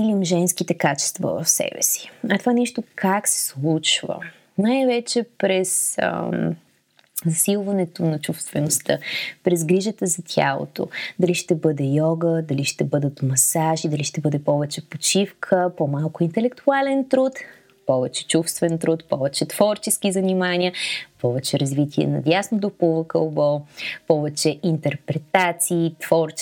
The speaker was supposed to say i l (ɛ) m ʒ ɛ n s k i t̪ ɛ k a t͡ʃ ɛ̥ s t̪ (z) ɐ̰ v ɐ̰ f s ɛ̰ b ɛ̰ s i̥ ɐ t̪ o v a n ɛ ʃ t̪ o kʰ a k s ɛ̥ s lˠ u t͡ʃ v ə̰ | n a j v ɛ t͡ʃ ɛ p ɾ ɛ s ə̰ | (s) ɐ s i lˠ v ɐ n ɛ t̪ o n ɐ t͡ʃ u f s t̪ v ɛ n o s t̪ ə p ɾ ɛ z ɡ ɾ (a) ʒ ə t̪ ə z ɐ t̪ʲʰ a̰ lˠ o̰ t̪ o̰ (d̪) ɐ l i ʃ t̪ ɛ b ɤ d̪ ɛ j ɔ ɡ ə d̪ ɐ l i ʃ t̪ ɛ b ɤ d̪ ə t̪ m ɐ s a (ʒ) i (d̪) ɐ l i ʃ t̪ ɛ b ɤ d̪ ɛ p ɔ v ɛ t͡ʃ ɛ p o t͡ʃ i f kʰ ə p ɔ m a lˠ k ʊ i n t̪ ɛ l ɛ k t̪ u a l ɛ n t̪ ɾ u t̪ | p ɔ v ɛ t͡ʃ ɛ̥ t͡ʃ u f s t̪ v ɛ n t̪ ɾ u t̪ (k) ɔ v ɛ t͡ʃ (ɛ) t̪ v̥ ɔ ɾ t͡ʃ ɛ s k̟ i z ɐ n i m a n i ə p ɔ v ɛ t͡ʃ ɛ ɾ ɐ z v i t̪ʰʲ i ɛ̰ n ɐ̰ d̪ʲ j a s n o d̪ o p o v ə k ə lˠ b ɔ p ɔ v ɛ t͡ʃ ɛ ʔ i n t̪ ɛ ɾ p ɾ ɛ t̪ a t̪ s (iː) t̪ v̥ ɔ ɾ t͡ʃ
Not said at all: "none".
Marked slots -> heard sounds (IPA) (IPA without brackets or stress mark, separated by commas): i, v, z, i, d̪, ʒ, d̪, p, ɛ, iː